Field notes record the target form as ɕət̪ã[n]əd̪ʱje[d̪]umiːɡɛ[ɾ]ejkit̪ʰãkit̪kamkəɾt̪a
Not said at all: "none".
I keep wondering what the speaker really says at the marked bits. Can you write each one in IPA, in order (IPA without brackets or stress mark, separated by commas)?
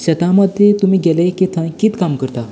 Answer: m, t̪, l